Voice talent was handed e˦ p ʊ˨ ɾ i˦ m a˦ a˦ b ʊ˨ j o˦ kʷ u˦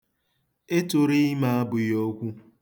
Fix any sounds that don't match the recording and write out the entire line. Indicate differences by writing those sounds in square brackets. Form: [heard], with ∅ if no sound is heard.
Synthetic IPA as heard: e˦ [t] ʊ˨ ɾ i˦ m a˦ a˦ b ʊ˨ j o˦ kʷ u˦